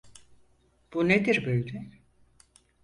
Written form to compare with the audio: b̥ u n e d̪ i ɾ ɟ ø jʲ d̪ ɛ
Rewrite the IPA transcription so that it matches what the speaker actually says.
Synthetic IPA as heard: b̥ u n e d̪ i ɾ b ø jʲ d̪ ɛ